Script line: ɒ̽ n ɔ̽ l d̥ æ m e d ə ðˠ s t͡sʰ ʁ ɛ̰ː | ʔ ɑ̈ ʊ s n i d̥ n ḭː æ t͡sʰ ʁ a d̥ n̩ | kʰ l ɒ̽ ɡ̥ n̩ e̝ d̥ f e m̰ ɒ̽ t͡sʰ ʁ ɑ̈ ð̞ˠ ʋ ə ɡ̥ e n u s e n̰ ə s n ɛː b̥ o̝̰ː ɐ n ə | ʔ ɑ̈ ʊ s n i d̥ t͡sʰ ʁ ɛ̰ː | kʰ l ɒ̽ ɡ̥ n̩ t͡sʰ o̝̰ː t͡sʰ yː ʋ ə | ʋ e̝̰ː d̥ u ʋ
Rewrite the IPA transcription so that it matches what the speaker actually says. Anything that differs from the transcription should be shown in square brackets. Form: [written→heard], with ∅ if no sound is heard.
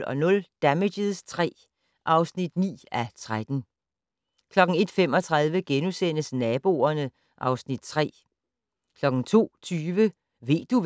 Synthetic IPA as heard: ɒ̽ n ɔ̽ l d̥ æ m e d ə ðˠ s t͡sʰ ʁ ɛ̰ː | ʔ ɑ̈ ʊ s n i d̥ n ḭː æ t͡sʰ ʁ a d̥ n̩ | kʰ l ɒ̽ ɡ̥ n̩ e̝ d̥ f e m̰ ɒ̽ t͡sʰ ʁ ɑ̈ ð̞ˠ ʋ ə ɡ̥ e n u s e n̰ ə s n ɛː b̥ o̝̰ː ɐ n ə | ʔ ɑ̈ ʊ s n i d̥ t͡sʰ ʁ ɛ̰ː | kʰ l ɒ̽ ɡ̥ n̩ t͡sʰ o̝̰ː t͡sʰ yː ʋ ə | ʋ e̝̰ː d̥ u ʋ